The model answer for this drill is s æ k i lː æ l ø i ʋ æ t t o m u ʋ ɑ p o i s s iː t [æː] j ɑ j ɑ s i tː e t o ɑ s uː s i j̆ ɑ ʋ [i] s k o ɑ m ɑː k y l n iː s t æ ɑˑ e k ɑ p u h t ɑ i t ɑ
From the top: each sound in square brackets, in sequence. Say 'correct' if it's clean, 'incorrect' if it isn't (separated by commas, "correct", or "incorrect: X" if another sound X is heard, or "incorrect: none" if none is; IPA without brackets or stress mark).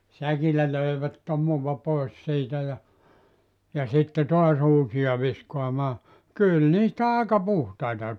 incorrect: æ, correct